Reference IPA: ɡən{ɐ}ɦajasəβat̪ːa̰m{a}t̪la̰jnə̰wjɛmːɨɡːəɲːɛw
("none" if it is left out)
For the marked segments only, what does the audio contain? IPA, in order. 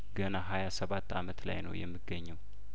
a, ə

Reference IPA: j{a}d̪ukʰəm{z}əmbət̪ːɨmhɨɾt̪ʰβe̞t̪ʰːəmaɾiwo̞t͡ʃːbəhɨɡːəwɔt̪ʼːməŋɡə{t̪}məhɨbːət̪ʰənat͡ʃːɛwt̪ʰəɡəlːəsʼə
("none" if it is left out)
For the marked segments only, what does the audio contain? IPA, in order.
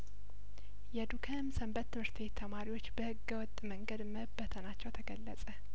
ɛ, s, d̪

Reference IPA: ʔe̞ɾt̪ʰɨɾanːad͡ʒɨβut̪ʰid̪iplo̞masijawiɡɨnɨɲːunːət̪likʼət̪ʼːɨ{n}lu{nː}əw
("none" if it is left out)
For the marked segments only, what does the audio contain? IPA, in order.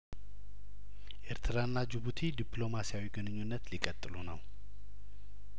none, n

